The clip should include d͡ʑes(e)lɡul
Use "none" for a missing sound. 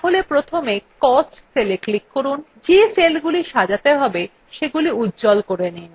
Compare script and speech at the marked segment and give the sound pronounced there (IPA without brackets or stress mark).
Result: e